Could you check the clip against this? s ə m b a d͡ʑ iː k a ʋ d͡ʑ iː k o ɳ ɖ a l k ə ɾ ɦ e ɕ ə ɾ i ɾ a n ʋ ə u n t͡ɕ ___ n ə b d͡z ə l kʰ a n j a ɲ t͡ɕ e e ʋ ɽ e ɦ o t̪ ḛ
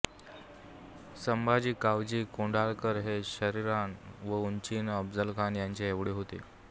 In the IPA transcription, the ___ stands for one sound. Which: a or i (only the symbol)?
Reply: i